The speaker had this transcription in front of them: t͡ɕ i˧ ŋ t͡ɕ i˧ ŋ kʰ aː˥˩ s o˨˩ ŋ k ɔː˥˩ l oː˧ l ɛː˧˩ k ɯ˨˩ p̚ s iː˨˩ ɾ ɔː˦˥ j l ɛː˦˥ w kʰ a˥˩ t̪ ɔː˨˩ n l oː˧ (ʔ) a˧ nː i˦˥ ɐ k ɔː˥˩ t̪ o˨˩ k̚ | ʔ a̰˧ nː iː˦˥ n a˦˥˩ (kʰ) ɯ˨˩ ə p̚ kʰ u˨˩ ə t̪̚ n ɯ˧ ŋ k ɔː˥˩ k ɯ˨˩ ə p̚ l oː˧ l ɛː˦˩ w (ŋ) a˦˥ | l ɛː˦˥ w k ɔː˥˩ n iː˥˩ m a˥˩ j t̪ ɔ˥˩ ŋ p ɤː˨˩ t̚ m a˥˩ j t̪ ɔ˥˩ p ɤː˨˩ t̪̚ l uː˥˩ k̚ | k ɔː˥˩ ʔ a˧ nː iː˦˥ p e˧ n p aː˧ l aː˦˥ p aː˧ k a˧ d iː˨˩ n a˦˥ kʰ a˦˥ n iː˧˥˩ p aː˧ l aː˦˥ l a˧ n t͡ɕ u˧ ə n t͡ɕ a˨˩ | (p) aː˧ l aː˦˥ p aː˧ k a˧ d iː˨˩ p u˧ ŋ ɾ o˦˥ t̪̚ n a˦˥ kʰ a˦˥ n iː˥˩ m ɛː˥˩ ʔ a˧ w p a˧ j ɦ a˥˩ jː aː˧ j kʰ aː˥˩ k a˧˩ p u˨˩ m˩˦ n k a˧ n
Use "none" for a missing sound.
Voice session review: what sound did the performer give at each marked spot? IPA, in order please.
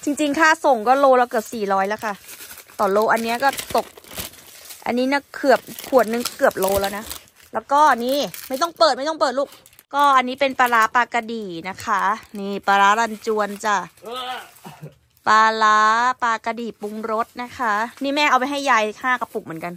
ʔ, kʰ, n, p

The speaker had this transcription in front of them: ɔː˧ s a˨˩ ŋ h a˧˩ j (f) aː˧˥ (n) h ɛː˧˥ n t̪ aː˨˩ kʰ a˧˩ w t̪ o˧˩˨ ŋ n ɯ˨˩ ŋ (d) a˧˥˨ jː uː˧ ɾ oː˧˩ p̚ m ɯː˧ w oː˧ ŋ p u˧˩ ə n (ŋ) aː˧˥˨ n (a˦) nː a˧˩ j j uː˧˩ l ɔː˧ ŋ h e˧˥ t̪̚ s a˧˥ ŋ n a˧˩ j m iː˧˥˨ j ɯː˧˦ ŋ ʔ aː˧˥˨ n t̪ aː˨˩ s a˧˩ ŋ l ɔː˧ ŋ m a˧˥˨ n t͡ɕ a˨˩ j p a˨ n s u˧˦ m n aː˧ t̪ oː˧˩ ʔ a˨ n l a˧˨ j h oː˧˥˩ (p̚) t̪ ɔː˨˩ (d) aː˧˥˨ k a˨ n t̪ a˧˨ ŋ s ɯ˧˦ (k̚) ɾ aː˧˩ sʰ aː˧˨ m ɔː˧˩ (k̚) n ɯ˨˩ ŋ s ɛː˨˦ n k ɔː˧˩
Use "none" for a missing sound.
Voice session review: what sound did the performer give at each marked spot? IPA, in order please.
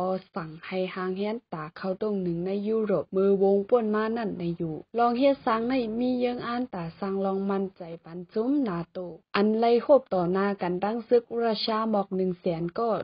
h, ŋ, n, m, a˧˥˩, p̚, n, k̚, k̚

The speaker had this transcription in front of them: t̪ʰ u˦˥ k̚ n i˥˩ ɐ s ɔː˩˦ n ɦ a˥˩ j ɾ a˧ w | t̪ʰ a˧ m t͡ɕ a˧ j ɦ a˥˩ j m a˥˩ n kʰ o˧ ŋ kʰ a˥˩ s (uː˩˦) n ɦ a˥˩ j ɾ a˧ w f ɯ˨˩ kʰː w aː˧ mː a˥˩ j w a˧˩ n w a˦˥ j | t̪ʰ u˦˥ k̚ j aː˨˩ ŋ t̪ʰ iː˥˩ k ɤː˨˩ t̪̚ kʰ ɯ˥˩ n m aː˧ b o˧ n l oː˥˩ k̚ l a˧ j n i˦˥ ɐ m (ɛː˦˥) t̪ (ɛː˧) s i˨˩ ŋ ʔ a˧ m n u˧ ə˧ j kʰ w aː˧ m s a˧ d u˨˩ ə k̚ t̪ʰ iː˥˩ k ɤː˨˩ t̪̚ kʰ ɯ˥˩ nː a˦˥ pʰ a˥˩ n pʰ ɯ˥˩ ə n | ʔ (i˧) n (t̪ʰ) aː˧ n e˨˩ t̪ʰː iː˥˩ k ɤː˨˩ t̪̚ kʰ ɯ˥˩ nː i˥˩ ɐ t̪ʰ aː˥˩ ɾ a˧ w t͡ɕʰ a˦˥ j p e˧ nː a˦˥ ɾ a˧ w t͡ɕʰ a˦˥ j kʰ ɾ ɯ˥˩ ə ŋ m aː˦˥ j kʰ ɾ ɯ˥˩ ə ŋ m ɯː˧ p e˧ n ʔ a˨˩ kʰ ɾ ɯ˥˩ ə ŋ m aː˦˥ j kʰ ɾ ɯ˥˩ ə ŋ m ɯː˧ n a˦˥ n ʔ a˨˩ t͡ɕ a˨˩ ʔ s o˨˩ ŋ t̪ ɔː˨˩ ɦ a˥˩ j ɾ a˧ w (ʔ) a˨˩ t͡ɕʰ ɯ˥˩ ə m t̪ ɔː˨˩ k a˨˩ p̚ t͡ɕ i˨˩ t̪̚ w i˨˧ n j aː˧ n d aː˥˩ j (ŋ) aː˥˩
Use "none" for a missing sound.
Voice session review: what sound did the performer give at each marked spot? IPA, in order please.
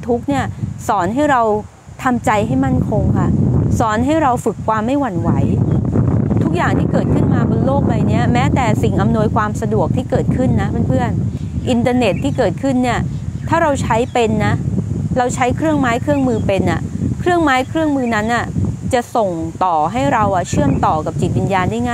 ɔː˩˦, ɛː˦˥, ɛː˨˩, i˧, t̪, ʔ, ŋ

